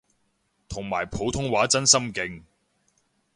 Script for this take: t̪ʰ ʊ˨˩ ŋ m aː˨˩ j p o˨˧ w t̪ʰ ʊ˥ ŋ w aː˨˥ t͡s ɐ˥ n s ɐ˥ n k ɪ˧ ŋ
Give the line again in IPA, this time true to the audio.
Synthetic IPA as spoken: t̪ʰ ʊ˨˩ ŋ m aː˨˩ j pʰ o˨˧ w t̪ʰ ʊ˥ ŋ w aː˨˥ t͡s ɐ˥ n s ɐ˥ m k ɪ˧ ŋ